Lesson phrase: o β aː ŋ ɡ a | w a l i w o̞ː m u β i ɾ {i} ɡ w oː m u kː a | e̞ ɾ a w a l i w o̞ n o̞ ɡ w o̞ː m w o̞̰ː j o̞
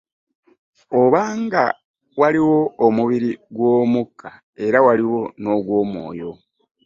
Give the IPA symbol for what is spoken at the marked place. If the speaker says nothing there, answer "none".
i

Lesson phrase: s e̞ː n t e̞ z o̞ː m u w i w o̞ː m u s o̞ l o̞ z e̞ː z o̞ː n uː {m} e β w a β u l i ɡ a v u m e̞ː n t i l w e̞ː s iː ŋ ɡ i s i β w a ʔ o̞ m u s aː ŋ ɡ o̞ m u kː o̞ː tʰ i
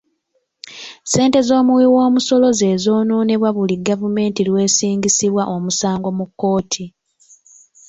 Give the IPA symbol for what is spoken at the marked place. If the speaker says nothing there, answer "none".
n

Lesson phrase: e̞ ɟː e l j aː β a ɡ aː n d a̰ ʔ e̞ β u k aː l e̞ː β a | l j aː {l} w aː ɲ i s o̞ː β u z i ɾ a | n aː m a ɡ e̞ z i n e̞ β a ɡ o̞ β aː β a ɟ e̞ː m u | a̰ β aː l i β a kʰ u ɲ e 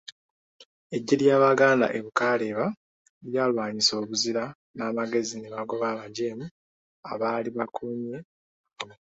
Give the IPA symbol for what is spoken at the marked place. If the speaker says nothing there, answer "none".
l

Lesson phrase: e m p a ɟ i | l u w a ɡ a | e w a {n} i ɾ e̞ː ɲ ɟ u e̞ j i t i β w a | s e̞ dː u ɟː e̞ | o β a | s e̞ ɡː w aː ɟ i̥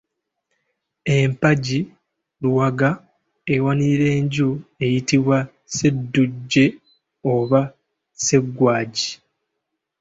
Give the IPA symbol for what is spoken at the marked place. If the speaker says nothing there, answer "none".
n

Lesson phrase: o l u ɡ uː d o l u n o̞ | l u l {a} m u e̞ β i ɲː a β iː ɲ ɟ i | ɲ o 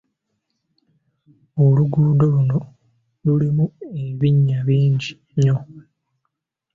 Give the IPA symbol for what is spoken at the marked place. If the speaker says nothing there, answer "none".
i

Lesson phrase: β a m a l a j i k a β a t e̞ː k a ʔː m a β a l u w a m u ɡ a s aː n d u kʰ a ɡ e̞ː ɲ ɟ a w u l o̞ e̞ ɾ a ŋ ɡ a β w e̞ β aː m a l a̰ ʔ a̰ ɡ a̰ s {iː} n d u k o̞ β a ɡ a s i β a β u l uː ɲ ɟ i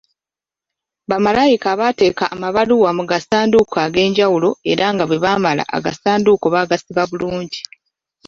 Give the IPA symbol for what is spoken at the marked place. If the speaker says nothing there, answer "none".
aː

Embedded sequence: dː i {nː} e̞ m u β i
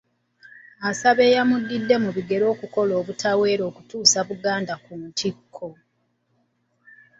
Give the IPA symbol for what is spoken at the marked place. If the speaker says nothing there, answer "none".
dː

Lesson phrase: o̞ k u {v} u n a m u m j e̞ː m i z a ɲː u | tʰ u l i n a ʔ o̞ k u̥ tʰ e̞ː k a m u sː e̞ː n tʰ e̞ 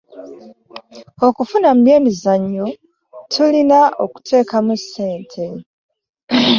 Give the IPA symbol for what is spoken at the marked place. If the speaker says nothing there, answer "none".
f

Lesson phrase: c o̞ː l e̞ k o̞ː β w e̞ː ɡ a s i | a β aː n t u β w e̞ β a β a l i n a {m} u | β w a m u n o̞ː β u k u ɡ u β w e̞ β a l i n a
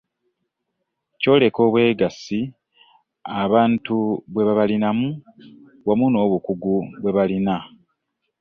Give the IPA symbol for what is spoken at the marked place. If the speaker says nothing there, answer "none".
m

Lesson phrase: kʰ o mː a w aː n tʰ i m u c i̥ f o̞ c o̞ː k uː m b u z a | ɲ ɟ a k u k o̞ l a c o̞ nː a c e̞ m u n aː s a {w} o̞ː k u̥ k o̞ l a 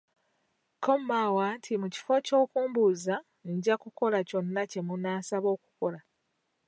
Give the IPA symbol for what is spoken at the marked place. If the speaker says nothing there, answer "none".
β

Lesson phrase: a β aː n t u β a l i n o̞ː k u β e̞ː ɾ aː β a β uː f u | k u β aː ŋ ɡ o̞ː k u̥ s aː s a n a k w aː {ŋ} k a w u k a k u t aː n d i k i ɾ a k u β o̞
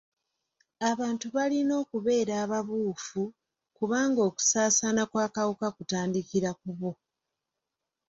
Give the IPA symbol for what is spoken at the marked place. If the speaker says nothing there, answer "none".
none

